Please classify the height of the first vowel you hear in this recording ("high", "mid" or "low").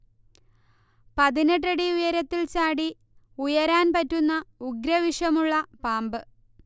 low